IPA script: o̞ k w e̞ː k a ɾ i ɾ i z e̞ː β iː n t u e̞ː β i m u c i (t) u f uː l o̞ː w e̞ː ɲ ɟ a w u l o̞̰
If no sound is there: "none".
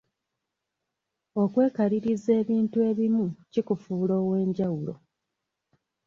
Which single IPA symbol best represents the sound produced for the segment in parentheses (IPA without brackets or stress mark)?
k